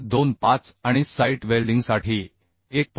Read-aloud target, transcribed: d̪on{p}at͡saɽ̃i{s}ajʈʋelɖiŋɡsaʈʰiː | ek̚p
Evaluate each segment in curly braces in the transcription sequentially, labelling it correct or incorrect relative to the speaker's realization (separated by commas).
correct, correct